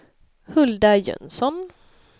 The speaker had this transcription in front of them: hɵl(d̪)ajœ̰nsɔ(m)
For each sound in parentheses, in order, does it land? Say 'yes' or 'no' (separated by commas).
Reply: yes, no